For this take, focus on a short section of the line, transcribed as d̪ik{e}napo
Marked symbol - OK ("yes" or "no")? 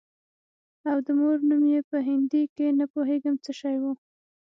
yes